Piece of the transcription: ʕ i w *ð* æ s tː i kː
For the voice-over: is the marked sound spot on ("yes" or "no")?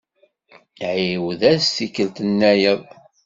yes